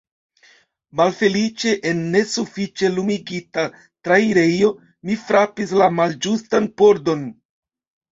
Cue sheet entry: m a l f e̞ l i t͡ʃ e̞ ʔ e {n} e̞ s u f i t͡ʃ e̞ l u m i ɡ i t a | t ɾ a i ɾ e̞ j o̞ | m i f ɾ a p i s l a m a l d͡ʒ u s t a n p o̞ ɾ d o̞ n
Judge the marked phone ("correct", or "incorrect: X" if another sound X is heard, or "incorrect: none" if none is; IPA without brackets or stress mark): incorrect: nː